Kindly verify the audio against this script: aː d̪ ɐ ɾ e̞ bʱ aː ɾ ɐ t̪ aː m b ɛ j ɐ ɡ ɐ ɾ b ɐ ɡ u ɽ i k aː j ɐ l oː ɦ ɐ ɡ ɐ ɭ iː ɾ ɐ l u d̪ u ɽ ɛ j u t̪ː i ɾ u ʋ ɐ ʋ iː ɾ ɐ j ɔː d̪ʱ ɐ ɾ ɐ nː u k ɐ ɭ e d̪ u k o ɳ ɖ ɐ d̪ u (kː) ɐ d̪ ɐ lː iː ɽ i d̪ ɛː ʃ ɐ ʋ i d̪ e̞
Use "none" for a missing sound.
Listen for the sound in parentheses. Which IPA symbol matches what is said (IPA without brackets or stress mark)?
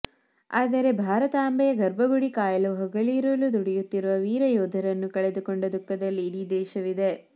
kː